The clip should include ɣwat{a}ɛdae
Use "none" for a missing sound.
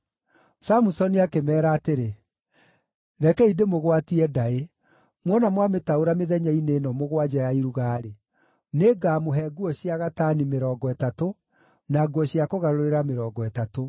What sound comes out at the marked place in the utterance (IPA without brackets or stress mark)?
i